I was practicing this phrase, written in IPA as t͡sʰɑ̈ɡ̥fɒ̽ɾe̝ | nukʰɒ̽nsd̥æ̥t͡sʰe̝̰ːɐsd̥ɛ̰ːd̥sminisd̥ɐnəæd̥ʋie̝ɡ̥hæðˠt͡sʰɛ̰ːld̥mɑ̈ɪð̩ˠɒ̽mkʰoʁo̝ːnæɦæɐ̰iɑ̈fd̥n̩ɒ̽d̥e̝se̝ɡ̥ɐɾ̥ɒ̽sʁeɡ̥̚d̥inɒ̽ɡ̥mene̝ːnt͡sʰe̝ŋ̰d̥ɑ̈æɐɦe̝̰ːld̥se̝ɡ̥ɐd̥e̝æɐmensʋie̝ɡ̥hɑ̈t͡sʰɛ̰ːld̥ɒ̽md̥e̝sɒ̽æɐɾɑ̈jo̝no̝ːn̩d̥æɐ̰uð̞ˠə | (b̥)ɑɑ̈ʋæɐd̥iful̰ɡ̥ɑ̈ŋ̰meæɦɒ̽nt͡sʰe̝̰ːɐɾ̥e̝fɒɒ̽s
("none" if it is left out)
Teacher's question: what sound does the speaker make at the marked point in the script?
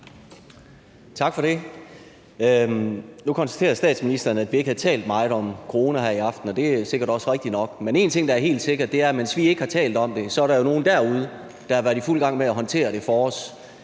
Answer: d̥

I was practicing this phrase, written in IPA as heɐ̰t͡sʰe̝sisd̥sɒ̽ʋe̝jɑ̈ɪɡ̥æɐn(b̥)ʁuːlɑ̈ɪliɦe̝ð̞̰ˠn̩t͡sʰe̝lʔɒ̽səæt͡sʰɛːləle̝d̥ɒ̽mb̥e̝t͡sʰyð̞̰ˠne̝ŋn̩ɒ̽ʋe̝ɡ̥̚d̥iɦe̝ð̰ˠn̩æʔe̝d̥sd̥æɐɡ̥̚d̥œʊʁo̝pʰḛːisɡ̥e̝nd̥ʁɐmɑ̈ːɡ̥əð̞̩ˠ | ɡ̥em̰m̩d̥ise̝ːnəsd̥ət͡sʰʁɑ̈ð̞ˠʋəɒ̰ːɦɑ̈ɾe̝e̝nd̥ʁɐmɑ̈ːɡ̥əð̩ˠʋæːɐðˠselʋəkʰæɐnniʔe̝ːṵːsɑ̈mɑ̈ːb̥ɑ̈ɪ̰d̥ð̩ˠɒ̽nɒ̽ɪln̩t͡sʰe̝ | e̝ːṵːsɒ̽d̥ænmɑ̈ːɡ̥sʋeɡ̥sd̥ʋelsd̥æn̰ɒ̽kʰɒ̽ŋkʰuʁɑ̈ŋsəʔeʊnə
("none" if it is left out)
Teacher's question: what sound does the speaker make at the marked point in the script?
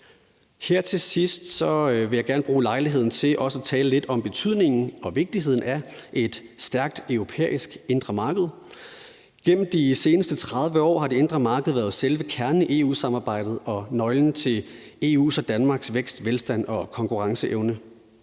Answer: b̥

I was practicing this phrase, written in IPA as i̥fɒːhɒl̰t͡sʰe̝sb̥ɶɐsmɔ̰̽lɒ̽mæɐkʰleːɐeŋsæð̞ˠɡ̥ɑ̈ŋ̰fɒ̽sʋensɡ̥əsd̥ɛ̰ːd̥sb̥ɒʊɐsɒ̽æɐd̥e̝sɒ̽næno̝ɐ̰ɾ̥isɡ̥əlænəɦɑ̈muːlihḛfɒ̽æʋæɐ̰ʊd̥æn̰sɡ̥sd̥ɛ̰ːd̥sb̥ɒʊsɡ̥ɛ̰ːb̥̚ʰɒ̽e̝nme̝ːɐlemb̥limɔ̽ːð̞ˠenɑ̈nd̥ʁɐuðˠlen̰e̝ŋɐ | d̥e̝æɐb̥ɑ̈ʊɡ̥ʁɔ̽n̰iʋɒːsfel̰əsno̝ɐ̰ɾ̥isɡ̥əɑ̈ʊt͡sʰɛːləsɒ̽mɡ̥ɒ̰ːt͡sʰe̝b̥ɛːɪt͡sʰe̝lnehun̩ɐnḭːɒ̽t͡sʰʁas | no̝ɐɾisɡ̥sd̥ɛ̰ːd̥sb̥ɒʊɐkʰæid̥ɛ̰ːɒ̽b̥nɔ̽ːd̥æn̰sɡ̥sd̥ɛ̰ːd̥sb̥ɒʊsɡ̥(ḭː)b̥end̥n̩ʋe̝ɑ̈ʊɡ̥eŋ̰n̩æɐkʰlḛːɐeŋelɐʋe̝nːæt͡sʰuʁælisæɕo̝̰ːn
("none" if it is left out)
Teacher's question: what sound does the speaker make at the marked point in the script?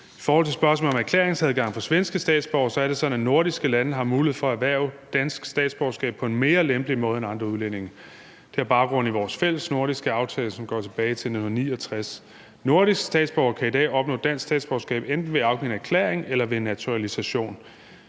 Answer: ɛ̰ː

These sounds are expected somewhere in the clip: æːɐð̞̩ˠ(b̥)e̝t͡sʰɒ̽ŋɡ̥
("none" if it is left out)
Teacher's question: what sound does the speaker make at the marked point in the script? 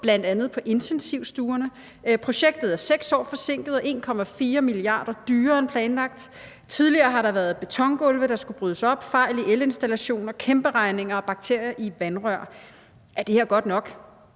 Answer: b̥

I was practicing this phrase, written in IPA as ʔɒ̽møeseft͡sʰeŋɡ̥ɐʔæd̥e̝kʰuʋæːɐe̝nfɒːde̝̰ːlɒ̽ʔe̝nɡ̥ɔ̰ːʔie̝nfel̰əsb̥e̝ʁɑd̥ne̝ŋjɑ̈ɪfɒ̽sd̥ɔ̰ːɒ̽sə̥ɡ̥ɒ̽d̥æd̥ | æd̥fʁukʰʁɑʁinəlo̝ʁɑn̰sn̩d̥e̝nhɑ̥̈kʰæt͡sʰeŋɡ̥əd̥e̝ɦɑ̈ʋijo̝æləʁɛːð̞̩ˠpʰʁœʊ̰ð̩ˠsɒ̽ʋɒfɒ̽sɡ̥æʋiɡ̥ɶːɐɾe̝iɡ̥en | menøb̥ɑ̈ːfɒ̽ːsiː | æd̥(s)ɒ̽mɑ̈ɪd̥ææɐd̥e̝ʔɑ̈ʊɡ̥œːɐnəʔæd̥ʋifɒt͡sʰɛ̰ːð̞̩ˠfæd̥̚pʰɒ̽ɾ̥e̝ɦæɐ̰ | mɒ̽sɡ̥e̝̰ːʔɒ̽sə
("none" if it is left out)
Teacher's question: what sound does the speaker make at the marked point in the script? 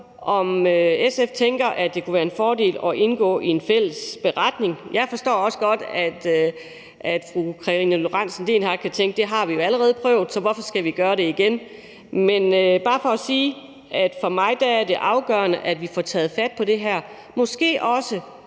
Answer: f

